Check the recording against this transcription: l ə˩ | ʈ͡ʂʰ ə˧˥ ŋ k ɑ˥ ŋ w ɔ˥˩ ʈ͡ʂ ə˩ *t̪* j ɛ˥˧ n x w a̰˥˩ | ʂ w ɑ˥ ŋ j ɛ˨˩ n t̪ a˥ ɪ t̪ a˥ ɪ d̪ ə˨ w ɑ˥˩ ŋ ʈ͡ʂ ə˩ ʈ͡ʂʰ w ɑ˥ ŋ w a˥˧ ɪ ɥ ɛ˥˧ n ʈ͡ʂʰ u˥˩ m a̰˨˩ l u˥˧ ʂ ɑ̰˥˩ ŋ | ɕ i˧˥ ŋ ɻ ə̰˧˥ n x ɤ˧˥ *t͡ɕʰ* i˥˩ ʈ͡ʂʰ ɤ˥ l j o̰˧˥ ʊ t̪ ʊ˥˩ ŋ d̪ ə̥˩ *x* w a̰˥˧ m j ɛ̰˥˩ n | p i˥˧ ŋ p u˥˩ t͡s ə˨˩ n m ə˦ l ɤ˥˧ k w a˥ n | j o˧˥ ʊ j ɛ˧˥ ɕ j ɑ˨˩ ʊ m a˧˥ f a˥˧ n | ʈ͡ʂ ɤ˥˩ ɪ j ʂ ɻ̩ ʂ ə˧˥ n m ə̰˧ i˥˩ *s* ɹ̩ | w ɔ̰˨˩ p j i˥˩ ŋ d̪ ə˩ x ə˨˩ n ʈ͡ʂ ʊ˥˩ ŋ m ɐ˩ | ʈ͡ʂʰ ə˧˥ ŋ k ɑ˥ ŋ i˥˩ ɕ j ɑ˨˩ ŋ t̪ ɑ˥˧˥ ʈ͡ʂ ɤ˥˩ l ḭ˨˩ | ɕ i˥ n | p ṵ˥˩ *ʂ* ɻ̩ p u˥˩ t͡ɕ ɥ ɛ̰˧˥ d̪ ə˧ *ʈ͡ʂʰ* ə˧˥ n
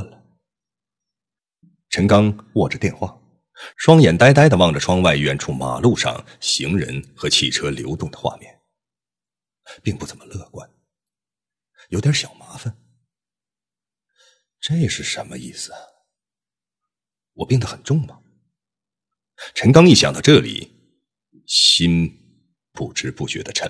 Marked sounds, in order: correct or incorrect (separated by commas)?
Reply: correct, correct, correct, correct, incorrect, correct